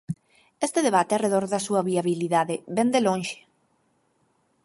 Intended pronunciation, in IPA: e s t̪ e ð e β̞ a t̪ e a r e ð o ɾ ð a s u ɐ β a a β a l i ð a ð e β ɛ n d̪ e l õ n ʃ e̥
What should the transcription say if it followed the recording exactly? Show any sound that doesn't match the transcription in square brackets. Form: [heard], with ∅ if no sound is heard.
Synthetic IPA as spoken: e s t̪ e ð e β̞ a t̪ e a r e ð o ɾ ð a s u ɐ β [i] a β [i] l i ð a ð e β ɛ n d̪ e l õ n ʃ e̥